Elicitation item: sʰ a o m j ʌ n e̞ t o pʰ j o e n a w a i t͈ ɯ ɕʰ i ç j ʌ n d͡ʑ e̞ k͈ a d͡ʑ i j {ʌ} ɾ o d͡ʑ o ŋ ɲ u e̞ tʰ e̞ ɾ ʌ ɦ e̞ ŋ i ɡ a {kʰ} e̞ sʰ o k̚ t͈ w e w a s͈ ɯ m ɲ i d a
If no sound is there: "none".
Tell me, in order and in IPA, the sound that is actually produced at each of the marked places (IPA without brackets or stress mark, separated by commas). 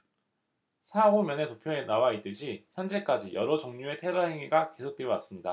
ʌ, k